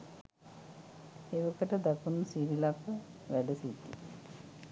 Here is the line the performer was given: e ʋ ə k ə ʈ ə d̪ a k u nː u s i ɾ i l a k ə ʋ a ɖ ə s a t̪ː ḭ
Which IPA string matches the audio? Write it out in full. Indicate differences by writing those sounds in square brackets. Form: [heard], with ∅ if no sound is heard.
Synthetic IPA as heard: e ʋ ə k ə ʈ ə d̪ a k u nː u s i ɾ i l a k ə ʋ [æ] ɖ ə s [i] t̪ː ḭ